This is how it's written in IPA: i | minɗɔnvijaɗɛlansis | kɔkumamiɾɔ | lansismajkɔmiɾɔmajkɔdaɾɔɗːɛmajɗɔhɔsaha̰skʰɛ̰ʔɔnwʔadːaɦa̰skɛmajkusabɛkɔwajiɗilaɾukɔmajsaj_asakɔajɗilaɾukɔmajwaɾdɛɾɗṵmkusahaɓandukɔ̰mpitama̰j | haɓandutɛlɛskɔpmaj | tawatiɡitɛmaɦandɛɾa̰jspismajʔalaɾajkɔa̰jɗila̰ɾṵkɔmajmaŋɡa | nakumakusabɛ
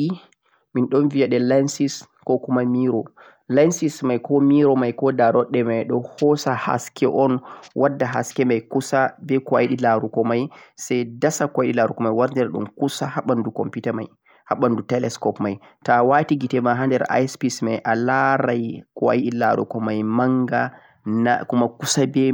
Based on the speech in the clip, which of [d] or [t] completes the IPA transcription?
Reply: d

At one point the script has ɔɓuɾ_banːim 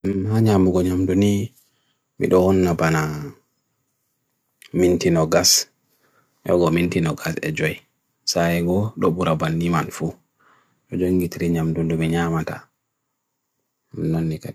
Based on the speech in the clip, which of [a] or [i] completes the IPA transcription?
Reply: a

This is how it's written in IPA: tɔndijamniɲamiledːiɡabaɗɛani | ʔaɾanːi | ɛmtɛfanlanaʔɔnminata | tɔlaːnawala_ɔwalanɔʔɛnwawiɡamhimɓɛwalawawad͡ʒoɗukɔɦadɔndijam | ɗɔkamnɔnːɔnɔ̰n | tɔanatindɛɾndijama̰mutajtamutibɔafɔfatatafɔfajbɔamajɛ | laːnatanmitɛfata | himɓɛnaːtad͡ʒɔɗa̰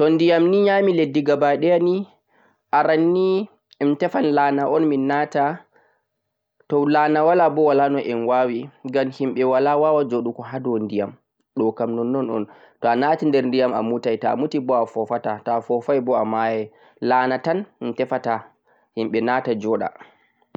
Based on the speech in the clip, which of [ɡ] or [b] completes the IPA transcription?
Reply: b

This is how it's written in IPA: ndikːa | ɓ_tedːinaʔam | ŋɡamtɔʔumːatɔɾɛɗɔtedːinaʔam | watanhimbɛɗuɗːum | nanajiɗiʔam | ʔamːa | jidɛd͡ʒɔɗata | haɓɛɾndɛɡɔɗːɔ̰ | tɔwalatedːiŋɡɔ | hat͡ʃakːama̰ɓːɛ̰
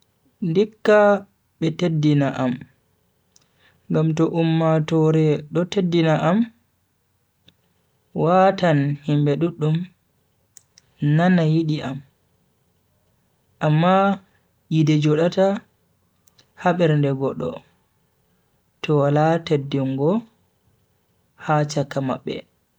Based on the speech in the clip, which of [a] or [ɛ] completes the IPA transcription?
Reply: ɛ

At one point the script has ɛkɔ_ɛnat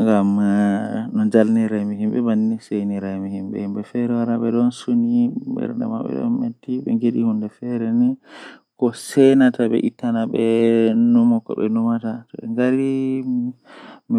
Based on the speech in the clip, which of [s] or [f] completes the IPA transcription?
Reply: s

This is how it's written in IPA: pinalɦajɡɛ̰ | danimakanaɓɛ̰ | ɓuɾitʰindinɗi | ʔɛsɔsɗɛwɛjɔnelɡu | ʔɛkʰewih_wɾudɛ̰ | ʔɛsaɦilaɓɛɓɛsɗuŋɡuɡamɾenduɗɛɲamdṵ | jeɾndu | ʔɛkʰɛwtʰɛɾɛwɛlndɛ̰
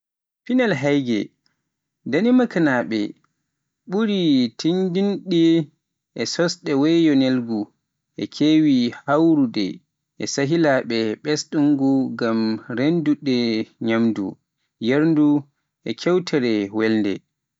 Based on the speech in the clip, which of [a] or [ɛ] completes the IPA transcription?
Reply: a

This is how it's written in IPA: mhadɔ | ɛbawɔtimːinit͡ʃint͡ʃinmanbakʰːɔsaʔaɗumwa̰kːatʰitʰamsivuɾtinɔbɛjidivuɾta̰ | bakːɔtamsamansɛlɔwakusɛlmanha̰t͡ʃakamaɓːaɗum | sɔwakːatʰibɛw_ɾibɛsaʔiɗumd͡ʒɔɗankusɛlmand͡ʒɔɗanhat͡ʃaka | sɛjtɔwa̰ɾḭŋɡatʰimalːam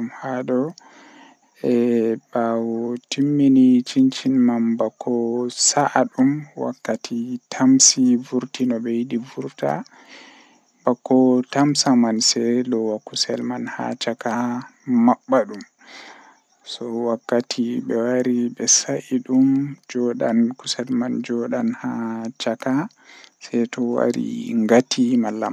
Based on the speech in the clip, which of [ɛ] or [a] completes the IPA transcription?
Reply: a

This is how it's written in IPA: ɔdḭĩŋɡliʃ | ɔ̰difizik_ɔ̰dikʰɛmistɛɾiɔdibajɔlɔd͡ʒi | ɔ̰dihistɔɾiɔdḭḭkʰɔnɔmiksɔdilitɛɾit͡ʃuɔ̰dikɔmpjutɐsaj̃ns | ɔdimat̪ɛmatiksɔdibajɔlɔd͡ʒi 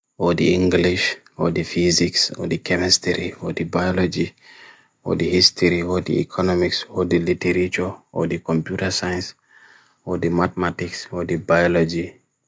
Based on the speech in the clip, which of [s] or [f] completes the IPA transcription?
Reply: s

